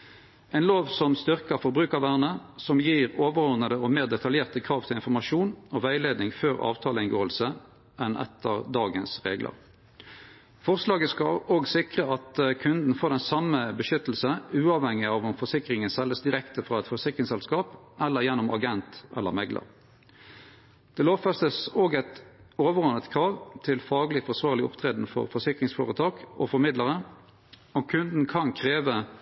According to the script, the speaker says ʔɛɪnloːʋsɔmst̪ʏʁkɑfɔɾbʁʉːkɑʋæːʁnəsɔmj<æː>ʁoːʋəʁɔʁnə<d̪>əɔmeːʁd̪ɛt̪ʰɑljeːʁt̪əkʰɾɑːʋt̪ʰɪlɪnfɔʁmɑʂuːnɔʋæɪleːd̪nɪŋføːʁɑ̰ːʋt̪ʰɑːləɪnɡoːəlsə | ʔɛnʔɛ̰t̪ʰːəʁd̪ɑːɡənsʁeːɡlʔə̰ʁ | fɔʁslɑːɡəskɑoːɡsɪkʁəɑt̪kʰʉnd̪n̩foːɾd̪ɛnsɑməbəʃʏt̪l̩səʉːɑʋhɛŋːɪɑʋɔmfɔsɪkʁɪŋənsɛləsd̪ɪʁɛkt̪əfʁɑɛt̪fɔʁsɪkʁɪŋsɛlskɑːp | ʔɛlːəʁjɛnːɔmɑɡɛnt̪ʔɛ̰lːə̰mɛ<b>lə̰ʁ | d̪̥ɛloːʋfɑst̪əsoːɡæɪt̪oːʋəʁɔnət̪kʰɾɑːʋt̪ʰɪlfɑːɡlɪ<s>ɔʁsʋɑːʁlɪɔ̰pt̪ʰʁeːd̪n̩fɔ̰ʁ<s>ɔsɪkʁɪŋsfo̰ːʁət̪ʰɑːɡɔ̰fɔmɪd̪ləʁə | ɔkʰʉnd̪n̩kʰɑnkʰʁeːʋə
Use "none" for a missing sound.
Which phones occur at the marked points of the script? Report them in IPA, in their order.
iː, d̪, ɡ, f, f

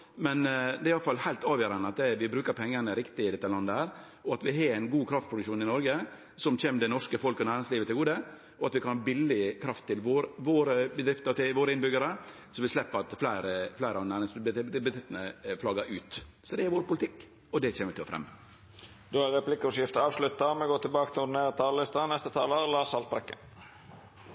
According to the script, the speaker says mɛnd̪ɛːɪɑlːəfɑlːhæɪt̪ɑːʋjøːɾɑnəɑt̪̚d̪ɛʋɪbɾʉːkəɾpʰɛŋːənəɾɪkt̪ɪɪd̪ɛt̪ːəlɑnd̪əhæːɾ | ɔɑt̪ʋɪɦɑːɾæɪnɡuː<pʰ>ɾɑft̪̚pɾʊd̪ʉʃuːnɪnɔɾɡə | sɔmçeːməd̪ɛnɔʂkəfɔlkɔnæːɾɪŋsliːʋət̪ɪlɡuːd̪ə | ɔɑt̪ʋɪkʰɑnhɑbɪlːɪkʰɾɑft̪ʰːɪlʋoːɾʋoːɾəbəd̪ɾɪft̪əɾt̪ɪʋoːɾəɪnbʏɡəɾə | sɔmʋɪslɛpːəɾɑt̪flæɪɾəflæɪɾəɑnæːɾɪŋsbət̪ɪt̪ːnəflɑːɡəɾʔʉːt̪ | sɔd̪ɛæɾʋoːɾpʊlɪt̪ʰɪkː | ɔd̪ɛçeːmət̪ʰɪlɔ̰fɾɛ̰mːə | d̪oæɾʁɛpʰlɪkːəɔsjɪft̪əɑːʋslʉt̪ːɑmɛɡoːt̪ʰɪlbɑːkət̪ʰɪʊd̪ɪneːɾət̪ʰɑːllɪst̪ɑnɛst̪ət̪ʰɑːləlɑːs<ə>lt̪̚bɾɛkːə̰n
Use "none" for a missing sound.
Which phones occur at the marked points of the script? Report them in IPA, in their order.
kʰ, ɑ

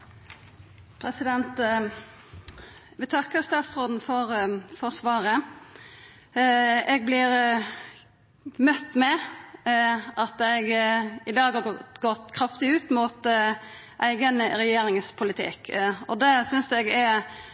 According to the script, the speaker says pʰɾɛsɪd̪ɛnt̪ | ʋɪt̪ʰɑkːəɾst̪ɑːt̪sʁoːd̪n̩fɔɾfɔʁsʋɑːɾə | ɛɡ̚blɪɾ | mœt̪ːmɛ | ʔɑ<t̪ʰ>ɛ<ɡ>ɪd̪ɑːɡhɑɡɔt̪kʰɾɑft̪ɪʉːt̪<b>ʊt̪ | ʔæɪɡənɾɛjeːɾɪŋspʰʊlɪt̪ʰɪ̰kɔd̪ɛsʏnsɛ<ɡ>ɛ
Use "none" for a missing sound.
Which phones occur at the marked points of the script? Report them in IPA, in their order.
t̪, ɡ, m, ɡ

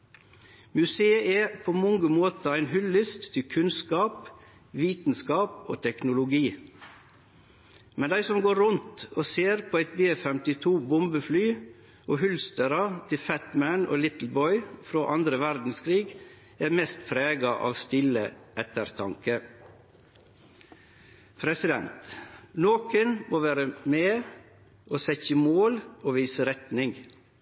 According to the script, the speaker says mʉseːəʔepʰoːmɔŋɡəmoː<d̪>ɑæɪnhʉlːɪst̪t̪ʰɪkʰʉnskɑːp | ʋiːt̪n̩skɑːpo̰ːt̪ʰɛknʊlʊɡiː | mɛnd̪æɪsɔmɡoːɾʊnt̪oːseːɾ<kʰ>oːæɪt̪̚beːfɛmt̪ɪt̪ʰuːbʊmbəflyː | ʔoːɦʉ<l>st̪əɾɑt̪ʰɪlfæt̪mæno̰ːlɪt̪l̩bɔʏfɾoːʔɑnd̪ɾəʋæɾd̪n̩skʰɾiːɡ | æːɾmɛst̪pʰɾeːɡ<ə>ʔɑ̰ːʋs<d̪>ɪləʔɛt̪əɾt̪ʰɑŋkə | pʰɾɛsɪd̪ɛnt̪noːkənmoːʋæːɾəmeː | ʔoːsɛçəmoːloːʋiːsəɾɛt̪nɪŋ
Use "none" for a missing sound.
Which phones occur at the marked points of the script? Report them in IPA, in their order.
t̪, pʰ, l, ɑ, t̪

